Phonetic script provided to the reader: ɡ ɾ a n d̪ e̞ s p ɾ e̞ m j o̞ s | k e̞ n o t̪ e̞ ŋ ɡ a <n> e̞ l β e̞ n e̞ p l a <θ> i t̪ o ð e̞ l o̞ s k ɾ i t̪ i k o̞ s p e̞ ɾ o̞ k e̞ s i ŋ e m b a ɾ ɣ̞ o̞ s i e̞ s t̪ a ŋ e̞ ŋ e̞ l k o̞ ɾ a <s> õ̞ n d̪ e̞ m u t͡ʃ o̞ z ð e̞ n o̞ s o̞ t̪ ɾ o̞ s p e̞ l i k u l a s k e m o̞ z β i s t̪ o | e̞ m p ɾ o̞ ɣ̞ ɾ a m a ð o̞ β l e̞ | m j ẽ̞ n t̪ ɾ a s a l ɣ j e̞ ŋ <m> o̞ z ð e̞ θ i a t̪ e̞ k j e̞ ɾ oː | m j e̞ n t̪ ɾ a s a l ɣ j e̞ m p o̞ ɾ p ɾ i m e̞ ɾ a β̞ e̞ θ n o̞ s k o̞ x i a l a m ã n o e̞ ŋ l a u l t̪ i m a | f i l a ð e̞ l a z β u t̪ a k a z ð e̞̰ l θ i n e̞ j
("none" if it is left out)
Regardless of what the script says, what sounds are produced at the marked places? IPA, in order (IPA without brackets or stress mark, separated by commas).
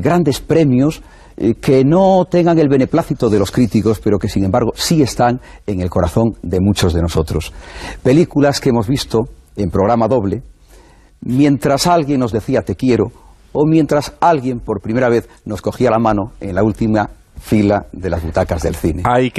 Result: ŋ, θ, θ, n